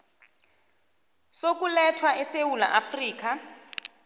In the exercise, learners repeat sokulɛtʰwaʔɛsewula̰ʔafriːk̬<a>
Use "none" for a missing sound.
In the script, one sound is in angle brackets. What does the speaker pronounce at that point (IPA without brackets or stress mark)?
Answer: a